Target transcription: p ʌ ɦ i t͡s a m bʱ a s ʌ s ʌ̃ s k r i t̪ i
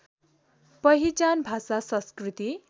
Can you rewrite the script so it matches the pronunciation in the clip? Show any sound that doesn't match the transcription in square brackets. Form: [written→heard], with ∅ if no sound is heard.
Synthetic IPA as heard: p ʌ ɦ i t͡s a [m→n] bʱ a s [ʌ→a] s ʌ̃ s k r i t̪ i